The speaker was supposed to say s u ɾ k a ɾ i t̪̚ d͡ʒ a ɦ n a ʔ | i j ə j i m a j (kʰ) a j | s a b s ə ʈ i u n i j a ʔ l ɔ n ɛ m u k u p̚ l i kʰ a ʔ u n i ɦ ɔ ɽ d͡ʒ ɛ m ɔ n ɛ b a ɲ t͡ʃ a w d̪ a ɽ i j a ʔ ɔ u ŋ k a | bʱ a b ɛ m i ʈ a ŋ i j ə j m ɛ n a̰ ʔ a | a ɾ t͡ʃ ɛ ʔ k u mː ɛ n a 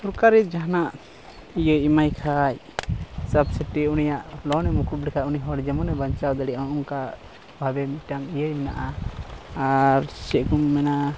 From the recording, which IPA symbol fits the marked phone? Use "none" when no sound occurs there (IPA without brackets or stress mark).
kʰ